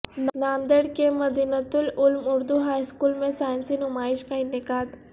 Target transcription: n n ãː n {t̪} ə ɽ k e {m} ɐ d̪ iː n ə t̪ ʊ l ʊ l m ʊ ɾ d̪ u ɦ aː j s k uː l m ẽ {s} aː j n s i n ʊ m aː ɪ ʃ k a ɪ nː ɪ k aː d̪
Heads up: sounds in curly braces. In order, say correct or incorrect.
incorrect, correct, correct

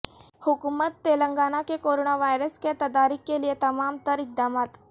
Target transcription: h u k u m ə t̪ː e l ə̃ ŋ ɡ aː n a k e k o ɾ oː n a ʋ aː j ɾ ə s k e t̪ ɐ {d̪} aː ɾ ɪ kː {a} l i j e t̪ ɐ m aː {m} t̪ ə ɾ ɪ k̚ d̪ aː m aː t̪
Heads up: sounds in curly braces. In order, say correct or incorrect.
correct, incorrect, correct

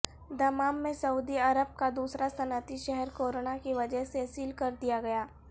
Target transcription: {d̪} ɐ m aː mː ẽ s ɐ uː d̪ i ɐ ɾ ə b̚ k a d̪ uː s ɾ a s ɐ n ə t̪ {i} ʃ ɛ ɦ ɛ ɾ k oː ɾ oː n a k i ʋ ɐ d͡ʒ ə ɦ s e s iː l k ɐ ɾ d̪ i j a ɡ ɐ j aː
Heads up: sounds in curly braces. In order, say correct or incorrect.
correct, correct

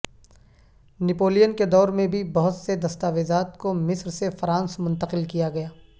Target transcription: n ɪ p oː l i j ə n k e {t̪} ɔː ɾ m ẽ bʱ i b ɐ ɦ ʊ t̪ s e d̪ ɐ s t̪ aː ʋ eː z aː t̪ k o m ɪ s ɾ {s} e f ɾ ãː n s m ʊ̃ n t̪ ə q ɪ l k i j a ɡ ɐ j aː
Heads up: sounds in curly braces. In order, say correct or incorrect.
incorrect, correct

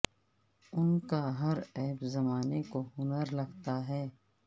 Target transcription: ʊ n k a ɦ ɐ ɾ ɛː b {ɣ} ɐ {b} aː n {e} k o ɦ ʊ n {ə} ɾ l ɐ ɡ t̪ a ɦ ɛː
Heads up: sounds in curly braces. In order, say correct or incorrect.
incorrect, incorrect, correct, correct

